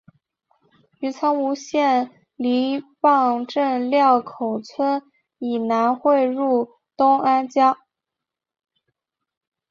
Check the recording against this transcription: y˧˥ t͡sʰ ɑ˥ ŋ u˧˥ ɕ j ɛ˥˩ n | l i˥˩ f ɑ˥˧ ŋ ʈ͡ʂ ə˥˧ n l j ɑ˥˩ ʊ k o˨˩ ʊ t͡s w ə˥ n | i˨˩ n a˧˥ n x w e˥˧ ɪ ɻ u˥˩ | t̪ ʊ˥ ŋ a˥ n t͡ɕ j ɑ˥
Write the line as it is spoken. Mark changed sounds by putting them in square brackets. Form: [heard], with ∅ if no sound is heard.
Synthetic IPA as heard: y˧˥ t͡sʰ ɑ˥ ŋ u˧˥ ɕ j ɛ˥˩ n | l [i˧˥] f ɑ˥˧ ŋ ʈ͡ʂ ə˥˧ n l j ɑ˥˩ ʊ [kʰ] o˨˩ ʊ [t͡sʰ] w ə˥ n | i˨˩ n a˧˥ n x w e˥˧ ɪ ɻ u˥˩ | t̪ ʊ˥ ŋ a˥ n t͡ɕ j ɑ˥